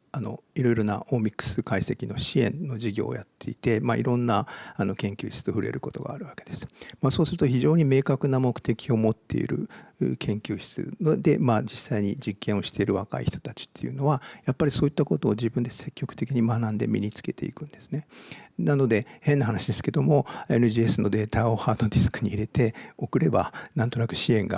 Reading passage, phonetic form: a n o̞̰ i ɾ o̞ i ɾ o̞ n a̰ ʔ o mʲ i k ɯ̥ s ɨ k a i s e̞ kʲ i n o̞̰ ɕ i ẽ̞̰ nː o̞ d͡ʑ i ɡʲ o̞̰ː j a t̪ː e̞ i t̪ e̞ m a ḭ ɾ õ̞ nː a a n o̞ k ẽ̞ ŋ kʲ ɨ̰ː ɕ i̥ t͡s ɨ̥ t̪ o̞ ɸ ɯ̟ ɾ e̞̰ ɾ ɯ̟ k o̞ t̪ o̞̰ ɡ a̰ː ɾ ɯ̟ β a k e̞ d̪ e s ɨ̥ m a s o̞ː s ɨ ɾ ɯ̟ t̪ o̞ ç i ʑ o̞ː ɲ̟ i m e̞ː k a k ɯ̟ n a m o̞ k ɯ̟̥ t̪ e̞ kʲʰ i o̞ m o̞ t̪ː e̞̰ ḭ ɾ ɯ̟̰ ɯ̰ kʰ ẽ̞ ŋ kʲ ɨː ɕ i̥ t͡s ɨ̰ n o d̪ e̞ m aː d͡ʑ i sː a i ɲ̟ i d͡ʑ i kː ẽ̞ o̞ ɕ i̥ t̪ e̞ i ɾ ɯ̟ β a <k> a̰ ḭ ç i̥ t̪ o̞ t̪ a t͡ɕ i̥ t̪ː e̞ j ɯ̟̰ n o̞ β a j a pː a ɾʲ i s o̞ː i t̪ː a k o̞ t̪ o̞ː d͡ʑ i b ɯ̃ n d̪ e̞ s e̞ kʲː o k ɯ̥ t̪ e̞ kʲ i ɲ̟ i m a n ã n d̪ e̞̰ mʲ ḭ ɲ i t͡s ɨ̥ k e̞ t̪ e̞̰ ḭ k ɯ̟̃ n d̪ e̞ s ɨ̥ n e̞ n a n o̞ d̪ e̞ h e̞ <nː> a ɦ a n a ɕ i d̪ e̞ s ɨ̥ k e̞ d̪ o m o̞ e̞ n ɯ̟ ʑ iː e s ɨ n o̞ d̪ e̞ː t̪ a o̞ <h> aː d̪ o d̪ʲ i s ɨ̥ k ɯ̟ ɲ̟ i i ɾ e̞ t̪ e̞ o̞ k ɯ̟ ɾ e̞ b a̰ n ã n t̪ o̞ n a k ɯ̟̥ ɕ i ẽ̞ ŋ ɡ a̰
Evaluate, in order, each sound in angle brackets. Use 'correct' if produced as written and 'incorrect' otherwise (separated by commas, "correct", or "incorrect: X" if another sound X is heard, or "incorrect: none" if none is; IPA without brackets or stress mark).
correct, correct, correct